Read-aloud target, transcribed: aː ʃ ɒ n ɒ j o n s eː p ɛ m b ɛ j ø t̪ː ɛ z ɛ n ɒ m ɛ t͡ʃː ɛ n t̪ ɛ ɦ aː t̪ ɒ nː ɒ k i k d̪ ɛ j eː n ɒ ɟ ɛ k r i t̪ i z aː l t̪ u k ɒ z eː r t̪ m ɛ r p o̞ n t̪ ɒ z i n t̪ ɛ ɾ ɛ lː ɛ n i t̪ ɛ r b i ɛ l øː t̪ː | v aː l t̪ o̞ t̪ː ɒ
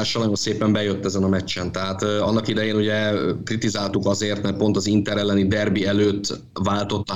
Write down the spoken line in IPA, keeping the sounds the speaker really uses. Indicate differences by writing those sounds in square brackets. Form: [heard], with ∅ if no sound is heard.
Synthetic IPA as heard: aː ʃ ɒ n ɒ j o n s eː p ɛ m b ɛ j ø t̪ː ɛ z ɛ n ɒ m ɛ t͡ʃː ɛ n t̪ ɛ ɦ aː t̪ ɒ nː ɒ k i [∅] d̪ ɛ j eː n [u] ɟ ɛ k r i t̪ i z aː l t̪ u k ɒ z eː r t̪ m ɛ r p o̞ n t̪ ɒ z i n t̪ ɛ ɾ ɛ lː ɛ n i [d̪] ɛ r b i ɛ l øː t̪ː | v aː l t̪ o̞ t̪ː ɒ